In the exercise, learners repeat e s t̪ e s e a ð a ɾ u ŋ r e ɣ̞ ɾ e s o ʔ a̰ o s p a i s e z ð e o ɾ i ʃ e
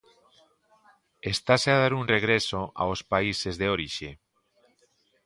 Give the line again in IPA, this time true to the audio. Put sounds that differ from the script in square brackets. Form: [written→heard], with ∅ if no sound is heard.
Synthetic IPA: e s t̪ [e→a] s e a ð a ɾ u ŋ r e ɣ̞ ɾ e s o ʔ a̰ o s p a i s e z ð e o ɾ i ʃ e